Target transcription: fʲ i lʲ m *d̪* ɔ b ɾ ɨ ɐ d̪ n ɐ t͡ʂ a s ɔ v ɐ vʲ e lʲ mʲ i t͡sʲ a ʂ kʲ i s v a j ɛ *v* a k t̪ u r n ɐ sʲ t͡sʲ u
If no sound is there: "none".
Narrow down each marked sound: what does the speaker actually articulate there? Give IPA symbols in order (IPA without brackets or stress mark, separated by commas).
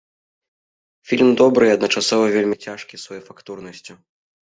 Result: d̪, f